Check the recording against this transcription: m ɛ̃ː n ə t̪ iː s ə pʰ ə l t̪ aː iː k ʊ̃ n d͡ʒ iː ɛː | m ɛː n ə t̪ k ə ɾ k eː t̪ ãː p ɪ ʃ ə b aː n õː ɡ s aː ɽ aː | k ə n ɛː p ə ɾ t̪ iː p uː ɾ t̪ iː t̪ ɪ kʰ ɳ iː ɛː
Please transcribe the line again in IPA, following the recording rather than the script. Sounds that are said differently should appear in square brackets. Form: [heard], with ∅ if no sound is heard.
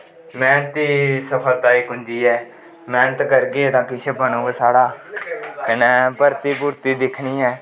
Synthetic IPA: m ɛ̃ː n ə t̪ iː s ə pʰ ə l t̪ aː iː k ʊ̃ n d͡ʒ iː ɛː | m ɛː n ə t̪ k ə ɾ [ɡ] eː t̪ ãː [k] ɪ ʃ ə b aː n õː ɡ s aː ɽ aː | k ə n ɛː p ə ɾ t̪ iː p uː ɾ t̪ iː [d̪] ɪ kʰ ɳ iː ɛː